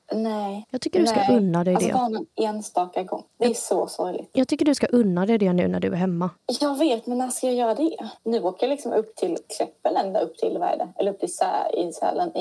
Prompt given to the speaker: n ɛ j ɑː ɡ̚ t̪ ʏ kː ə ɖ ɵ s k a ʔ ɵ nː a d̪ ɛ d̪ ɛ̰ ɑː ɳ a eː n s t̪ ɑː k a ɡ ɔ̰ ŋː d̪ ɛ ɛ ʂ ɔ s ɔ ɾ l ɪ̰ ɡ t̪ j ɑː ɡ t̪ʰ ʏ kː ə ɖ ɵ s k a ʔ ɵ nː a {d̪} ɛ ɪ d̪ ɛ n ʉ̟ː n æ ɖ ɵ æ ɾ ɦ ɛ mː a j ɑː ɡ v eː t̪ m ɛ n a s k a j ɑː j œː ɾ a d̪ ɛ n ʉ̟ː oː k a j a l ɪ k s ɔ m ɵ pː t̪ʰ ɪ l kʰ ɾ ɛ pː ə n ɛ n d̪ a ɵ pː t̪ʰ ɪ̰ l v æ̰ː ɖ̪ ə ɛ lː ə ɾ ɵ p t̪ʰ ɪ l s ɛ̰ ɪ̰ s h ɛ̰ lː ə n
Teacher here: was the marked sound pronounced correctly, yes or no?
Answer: yes